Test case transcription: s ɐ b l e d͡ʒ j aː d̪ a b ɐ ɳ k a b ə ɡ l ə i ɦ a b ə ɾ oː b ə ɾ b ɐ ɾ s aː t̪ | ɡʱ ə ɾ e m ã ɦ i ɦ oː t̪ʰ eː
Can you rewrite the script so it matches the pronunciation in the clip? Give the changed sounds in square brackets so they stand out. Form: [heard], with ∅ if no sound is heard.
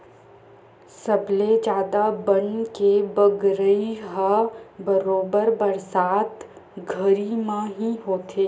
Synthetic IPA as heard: s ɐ b l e d͡ʒ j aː d̪ a b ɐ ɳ k [e] b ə ɡ [ɾ] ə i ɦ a b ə ɾ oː b ə ɾ b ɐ ɾ s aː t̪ | ɡʱ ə ɾ [i] m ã ɦ i ɦ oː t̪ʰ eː